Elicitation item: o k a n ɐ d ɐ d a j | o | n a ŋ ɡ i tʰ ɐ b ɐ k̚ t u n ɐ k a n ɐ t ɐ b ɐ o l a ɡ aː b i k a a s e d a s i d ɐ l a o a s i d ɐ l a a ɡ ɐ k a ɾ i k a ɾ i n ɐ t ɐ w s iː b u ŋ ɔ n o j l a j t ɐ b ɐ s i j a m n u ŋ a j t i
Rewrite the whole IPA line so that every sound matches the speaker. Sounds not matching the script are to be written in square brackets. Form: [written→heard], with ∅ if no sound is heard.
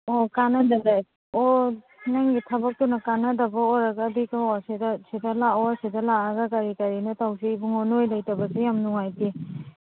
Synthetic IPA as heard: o k a n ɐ d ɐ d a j | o | n a ŋ ɡ i tʰ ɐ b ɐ k̚ t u n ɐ k a n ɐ [t→d] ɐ b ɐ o [l→ɾ] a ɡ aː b i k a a s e d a s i d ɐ l a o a s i d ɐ l a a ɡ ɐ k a ɾ i k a ɾ i n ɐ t [ɐ→a] w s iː b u ŋ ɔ n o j l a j t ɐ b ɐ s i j a m n u ŋ a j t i